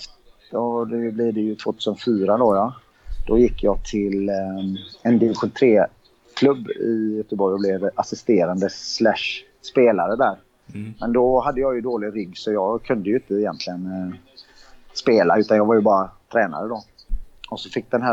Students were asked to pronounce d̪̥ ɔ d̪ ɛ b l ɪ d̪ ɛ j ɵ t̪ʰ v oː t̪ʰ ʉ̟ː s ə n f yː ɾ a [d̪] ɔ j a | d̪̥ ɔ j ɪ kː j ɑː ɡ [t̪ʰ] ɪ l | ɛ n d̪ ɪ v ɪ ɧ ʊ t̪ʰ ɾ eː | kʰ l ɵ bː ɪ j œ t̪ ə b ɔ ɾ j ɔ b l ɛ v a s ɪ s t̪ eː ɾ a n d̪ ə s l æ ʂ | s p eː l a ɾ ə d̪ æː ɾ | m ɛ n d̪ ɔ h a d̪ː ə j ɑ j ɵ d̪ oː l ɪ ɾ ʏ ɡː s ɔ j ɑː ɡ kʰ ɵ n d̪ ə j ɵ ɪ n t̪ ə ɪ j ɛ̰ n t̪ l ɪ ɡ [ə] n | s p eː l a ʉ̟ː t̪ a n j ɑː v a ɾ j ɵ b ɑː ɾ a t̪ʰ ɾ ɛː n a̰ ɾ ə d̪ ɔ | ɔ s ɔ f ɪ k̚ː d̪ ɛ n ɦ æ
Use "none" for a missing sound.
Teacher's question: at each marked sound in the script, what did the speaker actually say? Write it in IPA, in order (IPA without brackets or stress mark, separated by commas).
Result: d̪, t̪ʰ, ə